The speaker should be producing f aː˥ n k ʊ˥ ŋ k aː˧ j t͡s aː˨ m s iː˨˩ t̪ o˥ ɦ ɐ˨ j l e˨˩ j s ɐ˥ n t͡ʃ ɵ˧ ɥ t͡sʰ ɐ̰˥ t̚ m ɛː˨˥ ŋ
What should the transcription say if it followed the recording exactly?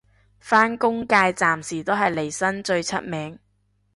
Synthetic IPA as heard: f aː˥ n k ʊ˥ ŋ k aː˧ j t͡s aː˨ m s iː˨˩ t̪ o˥ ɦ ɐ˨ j l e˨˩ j s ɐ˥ n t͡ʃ ɵ˧ ɥ t͡sʰ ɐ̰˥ t̚ m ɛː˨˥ ŋ